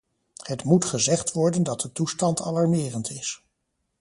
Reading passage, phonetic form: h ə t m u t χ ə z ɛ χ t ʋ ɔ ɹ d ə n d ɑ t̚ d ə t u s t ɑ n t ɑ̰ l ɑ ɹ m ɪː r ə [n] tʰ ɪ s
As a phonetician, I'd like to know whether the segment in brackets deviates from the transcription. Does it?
no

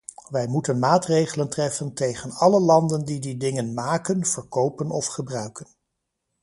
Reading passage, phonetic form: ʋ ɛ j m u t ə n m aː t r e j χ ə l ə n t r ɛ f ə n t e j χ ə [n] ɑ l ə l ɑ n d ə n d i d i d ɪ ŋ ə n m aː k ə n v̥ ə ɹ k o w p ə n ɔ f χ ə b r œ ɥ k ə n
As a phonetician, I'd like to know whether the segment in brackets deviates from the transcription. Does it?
no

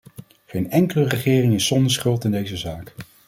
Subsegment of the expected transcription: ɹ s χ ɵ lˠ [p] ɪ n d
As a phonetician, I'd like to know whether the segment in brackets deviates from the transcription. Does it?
yes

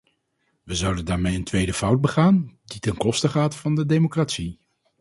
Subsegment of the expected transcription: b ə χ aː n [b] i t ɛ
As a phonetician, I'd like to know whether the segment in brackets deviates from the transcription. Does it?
yes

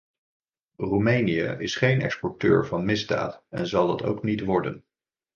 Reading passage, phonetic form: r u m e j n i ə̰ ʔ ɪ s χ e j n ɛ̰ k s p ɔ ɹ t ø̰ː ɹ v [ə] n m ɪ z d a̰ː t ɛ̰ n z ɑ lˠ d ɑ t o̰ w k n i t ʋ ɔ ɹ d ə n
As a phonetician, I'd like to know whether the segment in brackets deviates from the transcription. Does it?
yes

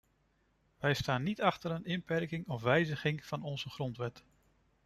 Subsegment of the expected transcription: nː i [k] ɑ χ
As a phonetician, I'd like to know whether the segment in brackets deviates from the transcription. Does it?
yes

